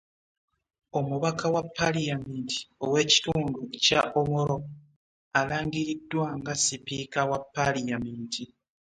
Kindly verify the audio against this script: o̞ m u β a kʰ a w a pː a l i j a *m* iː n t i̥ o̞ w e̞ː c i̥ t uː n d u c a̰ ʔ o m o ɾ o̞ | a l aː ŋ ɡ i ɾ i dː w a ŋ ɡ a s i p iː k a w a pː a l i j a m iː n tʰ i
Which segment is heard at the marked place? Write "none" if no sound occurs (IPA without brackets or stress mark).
m